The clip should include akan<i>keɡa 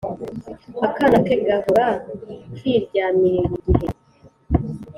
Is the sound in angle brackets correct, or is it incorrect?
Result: incorrect: a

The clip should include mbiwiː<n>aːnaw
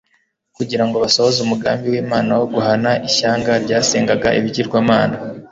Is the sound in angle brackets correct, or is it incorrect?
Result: incorrect: m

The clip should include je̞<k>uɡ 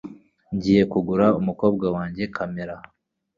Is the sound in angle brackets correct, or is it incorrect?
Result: correct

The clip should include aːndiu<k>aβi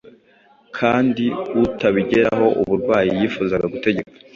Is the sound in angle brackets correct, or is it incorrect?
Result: incorrect: t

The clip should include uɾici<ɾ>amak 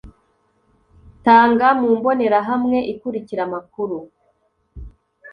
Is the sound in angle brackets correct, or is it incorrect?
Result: correct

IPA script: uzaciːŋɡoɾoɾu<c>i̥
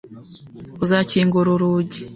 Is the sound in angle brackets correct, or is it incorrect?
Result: incorrect: ɟ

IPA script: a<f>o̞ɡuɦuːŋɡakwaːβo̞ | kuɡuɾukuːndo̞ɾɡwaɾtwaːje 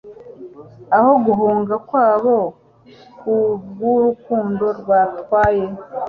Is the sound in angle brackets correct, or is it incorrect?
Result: incorrect: h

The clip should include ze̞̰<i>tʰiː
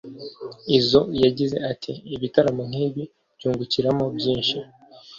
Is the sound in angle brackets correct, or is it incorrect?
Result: incorrect: a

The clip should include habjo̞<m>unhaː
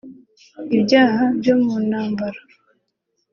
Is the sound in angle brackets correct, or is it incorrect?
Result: correct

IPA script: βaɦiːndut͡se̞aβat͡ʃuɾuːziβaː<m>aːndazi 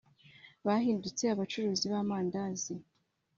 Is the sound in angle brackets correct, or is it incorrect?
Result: correct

